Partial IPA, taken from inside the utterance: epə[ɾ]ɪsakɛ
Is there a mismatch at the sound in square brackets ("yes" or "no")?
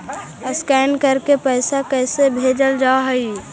yes